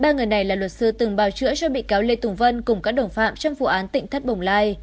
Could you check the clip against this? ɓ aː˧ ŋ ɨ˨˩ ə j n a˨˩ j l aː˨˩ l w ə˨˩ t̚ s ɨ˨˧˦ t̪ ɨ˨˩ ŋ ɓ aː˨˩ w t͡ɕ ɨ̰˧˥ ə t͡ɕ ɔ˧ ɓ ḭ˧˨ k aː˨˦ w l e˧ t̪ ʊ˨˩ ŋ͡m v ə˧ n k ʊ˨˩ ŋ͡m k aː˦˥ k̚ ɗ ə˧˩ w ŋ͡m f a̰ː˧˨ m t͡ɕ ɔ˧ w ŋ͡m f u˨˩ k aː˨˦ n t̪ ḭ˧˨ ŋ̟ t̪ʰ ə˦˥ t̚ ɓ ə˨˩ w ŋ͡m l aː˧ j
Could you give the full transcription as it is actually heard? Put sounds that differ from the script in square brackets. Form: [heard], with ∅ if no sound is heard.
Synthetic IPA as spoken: ɓ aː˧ ŋ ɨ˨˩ ə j n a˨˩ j l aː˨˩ l w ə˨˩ t̚ s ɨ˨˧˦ t̪ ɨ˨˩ ŋ ɓ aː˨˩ w t͡ɕ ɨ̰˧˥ ə t͡ɕ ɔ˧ ɓ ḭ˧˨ k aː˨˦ w l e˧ t̪ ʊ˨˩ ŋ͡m v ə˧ n k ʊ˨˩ ŋ͡m k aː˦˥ k̚ ɗ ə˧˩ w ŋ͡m f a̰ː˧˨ m t͡ɕ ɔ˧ w ŋ͡m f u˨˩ [ʔ] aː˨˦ n t̪ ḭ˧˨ ŋ̟ t̪ʰ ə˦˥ t̚ ɓ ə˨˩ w ŋ͡m l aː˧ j